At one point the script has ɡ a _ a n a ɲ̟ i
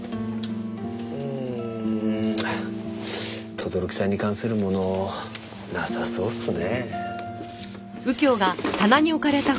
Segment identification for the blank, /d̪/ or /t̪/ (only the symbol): t̪